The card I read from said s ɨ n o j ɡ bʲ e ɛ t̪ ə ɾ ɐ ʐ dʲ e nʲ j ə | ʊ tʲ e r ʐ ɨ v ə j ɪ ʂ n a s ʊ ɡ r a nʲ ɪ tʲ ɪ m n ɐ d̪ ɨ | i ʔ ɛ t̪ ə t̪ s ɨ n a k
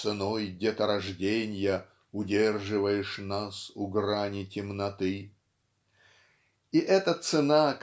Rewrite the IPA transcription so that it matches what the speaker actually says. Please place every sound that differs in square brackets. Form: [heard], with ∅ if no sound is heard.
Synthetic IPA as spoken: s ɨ n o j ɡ [dʲ] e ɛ t̪ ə ɾ ɐ ʐ dʲ e nʲ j ə | ʊ [dʲ] e r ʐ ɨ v ə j ɪ ʂ n a s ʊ ɡ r a nʲ ɪ tʲ ɪ m n ɐ [t̪] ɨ | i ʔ ɛ t̪ ə t̪ s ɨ n a k